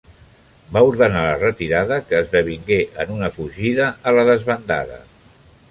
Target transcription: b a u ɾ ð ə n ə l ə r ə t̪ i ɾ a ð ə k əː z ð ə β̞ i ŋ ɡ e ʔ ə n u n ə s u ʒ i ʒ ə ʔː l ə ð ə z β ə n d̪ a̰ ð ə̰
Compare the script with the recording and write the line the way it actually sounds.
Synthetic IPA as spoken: b a u ɾ ð ə n a l ə r ə t̪ i ɾ a ð ə k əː z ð ə β̞ i ŋ ɡ e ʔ ə n u n ə f u ʒ i ð ə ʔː l ə ð ə z β ə n d̪ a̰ ð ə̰